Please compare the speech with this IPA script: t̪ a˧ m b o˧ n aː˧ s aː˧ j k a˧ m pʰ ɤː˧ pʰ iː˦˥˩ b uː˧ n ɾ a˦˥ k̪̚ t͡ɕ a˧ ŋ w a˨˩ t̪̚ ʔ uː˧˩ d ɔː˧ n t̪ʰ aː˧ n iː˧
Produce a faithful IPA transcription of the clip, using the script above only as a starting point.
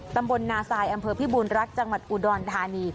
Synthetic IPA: t̪ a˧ m b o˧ nː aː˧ s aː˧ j ʔ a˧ m pʰ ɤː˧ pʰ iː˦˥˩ b uː˧ n ɾ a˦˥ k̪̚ t͡ɕ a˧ ŋ w a˨˩ t̪̚ ʔ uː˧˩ d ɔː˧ n t̪ʰ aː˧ n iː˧